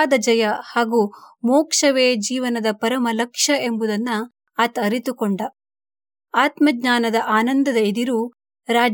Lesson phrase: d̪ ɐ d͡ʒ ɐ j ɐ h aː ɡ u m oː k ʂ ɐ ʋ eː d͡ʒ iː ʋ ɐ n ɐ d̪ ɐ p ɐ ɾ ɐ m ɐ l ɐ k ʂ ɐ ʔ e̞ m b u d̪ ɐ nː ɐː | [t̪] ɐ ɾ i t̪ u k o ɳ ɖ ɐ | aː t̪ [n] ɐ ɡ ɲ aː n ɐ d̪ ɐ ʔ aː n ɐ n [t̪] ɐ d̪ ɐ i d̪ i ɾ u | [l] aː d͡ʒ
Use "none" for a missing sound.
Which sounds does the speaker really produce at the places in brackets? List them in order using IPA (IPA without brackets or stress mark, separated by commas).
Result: t̪, m, d̪, ɾ